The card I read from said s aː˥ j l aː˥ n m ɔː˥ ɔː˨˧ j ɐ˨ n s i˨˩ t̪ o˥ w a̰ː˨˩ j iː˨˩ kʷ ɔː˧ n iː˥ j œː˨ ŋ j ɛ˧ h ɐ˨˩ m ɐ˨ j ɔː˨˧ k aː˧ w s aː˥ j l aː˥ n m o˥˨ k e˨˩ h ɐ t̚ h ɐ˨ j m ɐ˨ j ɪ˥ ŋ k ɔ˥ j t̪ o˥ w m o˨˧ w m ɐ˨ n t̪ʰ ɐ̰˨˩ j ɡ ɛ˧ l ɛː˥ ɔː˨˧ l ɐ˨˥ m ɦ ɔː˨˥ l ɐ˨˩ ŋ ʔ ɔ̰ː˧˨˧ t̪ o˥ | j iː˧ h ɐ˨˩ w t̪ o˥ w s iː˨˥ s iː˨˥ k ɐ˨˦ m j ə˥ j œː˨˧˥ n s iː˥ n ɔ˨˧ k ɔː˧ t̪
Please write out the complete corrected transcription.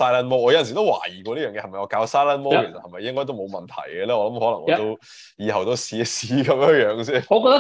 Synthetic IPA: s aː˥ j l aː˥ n m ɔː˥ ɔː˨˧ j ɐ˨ n s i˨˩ t̪ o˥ w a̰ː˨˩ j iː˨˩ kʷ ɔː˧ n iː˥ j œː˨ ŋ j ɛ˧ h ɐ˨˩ m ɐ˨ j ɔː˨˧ k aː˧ w s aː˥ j l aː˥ n m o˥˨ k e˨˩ s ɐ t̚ h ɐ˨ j m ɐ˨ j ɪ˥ ŋ k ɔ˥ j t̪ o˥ w m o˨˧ w m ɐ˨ n t̪ʰ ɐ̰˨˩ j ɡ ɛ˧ l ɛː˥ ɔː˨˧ l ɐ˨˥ m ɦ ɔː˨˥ l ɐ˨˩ ŋ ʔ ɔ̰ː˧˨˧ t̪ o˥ | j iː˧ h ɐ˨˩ w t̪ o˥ w s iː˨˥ s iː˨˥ k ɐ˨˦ m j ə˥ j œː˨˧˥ ŋ s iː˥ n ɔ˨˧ k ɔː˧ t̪